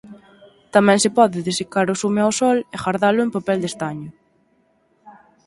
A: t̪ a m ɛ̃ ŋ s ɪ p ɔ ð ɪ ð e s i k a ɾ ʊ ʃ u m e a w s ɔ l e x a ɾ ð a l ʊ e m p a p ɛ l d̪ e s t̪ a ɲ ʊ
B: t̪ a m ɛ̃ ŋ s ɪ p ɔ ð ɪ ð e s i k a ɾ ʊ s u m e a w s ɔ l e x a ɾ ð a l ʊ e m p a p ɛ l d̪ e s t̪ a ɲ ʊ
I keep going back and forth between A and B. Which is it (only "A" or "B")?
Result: B